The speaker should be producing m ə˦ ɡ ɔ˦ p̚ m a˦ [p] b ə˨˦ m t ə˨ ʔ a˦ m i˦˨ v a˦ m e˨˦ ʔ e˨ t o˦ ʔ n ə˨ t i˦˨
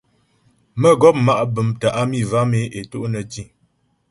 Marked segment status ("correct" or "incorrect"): incorrect